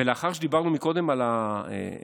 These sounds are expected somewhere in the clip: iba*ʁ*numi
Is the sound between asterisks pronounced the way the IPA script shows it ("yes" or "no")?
yes